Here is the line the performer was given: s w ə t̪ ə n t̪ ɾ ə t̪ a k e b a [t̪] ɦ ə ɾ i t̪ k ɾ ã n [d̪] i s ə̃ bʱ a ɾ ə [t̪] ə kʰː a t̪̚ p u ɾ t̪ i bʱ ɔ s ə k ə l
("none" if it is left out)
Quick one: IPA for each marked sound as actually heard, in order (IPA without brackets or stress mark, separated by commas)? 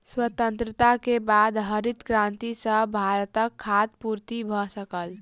d̪, t̪, t̪